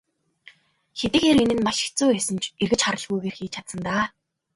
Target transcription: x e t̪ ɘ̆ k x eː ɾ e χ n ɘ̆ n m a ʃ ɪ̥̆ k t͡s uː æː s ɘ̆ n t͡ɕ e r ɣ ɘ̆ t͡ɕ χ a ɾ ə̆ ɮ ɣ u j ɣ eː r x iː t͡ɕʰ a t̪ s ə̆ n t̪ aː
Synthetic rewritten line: x e t̪ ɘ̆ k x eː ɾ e n ɘ̆ n m a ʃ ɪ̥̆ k t͡s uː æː s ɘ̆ n t͡ɕ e r ɣ ɘ̆ t͡ɕ χ a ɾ ə̆ ɮ ɣ u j ɣ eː r x iː t͡ɕʰ a t̪ s ə̆ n t̪ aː

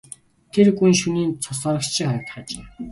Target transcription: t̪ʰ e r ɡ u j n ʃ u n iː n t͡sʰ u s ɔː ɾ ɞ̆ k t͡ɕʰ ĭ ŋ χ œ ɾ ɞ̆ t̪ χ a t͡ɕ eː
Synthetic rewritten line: t̪ʰ e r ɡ u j n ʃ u n iː n t͡sʰ ʊ s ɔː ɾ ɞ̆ k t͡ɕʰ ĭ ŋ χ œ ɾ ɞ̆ t̪ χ a t͡ɕ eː

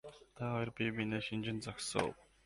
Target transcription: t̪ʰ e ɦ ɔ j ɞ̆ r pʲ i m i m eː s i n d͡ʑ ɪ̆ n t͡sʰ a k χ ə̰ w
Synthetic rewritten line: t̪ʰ a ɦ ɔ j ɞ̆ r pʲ i m i n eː ʃ i n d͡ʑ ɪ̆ n t͡s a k s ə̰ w

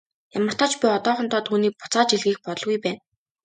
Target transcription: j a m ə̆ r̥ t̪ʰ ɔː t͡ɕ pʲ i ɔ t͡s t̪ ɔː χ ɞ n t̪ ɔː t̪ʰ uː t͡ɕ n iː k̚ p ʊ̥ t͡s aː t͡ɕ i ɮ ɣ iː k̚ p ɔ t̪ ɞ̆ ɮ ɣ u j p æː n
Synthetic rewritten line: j a m ə̆ r̥ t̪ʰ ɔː t͡ɕ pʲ i ɔ t̪ ɔː χ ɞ n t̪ ɔː t̪ʰ uː n iː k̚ p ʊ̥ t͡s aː t͡ɕ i ɮ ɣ iː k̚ p ɔ t̪ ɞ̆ ɮ ɣ u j p æː n

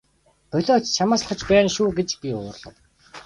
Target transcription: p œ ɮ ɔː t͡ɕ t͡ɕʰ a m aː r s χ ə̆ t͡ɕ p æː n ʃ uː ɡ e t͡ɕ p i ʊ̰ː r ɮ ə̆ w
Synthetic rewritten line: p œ ɮ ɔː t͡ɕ t͡ɕʰ a m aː s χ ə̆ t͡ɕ p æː n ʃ uː ɡ e t͡ɕ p i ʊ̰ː r ɮ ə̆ w

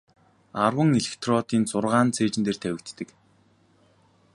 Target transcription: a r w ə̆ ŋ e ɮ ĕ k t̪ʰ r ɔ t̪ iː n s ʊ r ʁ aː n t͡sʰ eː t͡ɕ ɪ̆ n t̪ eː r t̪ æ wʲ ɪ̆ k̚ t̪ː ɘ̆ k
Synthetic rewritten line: a r w ə̆ ŋ e ɮ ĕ k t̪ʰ r ɔ t̪ iː n t͡s ʊ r ʁ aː n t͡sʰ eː t͡ɕ ɪ̆ n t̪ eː r t̪ʰ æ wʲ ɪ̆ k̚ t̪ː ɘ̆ k

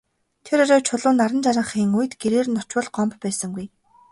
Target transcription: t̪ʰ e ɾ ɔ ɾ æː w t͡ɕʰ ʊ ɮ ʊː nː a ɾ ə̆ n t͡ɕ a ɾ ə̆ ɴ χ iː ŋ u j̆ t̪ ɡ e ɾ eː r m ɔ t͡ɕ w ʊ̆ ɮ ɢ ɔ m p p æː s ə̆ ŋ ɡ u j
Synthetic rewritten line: t̪ʰ e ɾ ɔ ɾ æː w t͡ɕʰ ʊ ɮ ʊː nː a ɾ ə̆ n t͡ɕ a ɾ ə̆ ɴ χ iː ŋ u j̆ t̪ ɡ e ɾ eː r n ɔ t͡ɕ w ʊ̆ ɮ ɢ ɔ m p p æː s ə̆ ŋ ɡ u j

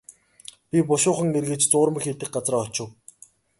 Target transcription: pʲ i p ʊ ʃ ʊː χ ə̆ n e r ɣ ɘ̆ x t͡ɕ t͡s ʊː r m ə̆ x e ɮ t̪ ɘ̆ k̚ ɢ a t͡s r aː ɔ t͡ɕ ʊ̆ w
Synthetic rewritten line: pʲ i p ʊ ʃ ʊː χ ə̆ ŋ e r ɣ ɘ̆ t͡ɕ t͡s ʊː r m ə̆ x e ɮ t̪ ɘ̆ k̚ ɢ a t͡s r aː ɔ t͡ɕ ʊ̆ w

